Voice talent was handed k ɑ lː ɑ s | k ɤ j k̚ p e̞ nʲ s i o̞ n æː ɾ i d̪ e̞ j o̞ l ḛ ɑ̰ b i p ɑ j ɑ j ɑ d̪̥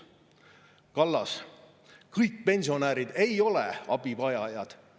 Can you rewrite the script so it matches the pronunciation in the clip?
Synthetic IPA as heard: k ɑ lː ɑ s | k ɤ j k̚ p e̞ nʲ s i o̞ n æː ɾ i d̪ e̞ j o̞ l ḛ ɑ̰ b i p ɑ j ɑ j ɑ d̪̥